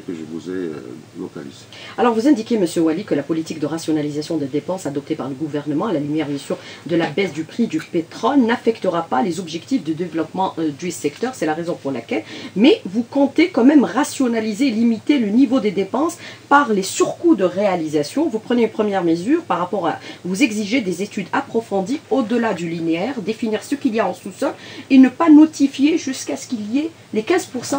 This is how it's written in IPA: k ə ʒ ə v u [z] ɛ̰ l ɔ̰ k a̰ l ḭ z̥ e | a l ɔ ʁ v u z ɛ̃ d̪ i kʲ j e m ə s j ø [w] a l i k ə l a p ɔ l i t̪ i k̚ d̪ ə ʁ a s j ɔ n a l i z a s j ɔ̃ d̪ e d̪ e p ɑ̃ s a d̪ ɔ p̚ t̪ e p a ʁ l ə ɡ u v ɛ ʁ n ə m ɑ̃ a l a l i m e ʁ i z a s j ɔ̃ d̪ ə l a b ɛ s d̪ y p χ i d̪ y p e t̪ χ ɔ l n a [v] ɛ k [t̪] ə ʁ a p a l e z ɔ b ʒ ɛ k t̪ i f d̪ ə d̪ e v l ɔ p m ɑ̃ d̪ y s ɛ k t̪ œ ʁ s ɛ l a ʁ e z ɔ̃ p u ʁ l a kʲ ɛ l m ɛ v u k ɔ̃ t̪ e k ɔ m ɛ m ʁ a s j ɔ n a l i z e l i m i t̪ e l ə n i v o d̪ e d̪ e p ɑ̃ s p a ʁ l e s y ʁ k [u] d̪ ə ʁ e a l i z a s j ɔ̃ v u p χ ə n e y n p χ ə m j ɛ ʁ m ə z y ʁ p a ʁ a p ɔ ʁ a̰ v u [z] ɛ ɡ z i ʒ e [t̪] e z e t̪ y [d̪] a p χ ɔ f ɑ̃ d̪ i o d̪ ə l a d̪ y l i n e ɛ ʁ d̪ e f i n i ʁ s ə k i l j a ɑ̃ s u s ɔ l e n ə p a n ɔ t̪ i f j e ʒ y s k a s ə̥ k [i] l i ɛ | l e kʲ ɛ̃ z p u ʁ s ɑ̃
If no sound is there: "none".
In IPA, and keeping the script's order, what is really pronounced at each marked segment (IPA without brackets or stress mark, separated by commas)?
z, w, f, t̪, u, z, d̪, d̪, i